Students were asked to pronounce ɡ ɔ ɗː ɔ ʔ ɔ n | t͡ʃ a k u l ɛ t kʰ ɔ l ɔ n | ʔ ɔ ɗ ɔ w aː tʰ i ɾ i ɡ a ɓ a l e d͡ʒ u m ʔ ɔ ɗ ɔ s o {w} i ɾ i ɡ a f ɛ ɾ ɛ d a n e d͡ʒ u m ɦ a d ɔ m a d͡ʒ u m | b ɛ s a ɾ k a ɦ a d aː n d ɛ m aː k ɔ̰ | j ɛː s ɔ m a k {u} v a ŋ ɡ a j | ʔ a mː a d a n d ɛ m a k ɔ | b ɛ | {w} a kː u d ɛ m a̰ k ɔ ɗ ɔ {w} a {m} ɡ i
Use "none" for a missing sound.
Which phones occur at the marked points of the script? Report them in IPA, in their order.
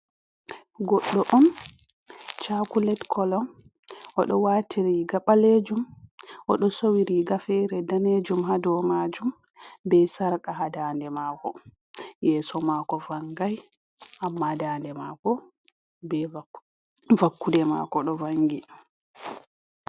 w, ɔ, v, v, ŋ

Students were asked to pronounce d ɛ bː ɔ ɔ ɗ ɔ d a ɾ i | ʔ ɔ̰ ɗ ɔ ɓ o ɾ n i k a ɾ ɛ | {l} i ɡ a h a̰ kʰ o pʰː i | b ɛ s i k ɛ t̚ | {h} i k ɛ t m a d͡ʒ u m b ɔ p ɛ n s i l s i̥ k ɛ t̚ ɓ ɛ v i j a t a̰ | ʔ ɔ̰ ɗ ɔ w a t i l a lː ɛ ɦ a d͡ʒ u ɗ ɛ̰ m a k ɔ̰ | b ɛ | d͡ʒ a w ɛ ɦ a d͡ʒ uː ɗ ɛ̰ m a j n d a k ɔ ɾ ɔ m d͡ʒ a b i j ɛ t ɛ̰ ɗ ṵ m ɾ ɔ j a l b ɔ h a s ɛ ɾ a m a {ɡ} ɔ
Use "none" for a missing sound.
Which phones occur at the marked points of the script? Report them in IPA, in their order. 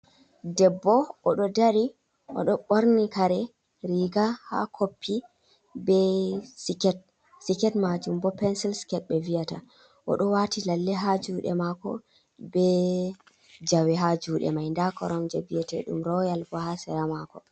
ɾ, s, k

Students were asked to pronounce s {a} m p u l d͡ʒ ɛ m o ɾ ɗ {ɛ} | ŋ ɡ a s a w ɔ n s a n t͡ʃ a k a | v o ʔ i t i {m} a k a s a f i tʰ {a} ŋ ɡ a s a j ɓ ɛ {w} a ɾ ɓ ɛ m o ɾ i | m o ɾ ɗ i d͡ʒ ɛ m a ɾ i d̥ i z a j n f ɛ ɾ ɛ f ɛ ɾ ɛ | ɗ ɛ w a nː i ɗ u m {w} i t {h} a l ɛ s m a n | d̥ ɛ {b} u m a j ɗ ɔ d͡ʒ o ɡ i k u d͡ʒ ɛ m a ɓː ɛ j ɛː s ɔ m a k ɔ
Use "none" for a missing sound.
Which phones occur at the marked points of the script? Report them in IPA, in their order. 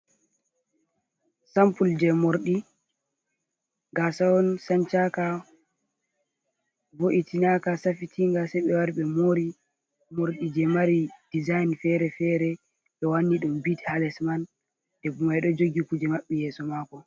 a, i, n, i, w, b, h, b

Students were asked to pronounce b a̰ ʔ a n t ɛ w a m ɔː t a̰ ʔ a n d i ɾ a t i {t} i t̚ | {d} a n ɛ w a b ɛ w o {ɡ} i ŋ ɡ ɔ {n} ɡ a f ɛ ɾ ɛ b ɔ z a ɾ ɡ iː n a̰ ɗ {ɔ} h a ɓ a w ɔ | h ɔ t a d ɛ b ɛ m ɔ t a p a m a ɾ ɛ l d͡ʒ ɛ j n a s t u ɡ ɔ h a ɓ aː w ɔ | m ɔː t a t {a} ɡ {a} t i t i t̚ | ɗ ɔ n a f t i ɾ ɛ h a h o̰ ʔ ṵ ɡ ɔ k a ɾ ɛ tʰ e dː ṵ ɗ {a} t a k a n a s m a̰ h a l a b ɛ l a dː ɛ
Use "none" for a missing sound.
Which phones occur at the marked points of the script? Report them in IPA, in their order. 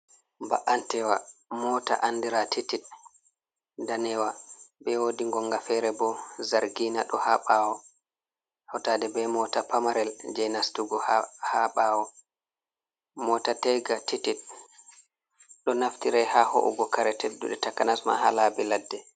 t, d, d, ŋ, ɔ, ɛ, a, ɛ

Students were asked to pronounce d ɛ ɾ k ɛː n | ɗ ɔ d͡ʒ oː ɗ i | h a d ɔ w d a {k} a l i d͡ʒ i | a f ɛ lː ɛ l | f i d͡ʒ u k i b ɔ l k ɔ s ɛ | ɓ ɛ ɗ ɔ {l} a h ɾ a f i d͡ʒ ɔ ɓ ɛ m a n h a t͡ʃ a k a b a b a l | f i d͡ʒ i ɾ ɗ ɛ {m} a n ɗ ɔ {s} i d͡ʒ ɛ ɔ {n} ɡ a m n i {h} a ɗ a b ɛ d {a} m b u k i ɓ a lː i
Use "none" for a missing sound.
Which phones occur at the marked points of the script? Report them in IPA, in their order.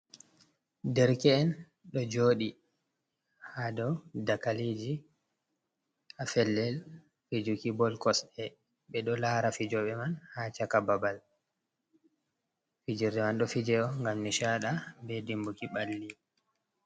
k, l, m, f, ŋ, ʃ, i

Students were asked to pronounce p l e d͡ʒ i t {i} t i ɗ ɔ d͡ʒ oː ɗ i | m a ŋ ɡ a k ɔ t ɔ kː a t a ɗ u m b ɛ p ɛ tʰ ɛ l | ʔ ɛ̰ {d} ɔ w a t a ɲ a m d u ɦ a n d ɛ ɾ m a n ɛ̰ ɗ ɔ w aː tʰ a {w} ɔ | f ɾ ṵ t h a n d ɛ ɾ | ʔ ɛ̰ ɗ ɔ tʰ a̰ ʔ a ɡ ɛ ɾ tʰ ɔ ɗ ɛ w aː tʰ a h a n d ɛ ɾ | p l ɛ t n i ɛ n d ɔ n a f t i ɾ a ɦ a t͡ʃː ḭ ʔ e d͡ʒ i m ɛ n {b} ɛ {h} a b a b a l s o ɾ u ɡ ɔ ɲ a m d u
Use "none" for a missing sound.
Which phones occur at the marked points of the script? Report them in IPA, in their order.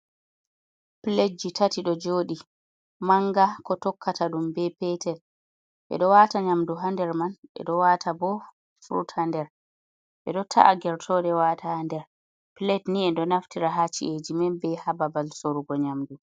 a, ɗ, b, b, h

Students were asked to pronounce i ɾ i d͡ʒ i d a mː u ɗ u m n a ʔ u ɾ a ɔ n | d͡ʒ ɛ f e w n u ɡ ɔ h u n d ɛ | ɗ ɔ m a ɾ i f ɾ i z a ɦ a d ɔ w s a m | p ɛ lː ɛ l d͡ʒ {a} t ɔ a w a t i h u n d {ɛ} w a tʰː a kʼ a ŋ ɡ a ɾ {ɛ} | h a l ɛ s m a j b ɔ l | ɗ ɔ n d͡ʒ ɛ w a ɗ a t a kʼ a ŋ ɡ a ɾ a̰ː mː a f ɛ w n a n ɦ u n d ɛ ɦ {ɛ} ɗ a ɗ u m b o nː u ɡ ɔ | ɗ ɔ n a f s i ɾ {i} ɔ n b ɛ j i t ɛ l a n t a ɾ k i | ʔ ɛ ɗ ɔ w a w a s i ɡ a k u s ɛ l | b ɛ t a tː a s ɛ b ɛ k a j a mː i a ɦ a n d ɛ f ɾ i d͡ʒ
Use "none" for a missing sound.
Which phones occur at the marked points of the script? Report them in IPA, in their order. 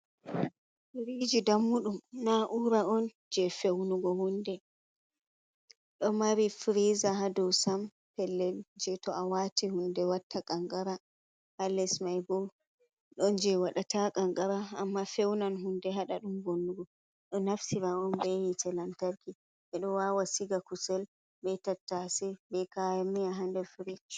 ɛ, ɛ, a, a, a

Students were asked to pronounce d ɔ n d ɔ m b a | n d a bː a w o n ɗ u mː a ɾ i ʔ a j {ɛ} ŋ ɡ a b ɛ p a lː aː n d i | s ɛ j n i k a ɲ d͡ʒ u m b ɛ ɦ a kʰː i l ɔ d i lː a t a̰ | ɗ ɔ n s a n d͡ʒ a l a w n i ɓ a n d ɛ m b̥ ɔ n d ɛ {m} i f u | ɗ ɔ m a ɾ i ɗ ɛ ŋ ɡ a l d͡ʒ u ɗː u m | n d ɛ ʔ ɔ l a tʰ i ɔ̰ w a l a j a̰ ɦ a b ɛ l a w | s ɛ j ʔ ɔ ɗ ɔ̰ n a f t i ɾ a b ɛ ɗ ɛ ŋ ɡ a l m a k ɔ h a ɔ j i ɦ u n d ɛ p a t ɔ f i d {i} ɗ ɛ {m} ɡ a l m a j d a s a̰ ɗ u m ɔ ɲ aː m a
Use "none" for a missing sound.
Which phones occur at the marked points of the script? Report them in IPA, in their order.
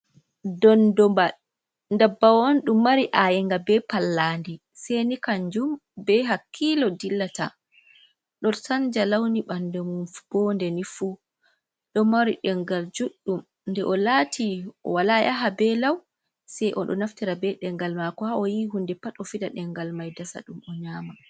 ɛ, n, a, ŋ

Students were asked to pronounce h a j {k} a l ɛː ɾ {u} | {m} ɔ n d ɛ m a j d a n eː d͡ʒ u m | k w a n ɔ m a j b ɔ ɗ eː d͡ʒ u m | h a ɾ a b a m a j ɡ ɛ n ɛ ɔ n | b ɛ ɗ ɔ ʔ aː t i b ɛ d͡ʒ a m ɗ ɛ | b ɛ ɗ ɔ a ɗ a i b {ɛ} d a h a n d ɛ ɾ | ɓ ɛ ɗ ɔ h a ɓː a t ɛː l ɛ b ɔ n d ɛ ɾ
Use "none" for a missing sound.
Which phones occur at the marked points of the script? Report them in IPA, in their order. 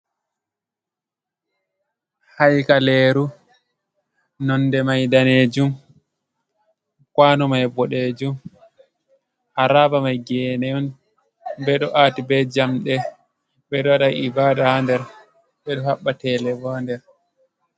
k, u, n, a

